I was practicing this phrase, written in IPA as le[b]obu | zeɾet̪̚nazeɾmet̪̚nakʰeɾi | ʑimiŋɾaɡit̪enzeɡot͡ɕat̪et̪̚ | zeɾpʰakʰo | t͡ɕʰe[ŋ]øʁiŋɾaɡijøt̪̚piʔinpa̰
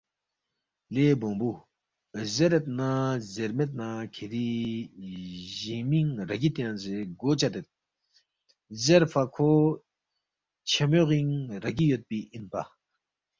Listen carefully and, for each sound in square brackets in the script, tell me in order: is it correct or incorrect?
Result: correct, incorrect: m

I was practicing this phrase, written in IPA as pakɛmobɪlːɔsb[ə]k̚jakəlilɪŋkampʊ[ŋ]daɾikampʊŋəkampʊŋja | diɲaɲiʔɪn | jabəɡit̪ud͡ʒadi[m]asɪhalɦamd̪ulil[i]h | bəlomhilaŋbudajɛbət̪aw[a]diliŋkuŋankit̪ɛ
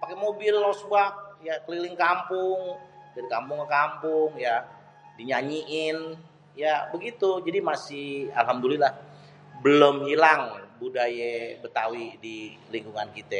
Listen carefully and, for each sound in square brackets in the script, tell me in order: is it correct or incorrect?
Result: incorrect: a, correct, correct, incorrect: a, incorrect: i

